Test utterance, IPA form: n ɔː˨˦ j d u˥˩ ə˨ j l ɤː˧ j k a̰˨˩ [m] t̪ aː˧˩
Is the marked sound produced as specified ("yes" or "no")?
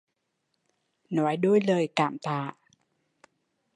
yes